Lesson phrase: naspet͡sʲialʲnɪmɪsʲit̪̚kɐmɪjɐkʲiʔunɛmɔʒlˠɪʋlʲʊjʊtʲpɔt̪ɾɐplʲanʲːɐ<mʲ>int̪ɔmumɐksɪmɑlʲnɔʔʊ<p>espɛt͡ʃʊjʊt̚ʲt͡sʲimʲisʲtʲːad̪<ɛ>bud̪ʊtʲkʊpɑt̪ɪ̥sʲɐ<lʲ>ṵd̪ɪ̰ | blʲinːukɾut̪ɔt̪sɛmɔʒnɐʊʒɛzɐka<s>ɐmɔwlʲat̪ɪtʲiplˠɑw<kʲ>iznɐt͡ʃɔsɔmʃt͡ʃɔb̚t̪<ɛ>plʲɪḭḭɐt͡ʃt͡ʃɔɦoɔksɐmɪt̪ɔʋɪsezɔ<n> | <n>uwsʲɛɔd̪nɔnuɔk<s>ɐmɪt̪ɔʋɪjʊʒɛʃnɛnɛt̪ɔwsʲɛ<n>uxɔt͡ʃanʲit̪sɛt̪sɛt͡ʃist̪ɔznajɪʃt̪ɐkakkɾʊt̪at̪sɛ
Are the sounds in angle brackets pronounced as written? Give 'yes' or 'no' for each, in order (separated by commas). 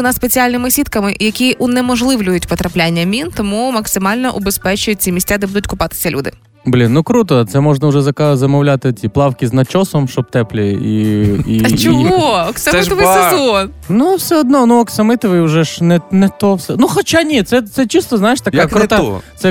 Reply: yes, no, yes, yes, no, yes, yes, yes, yes, yes, yes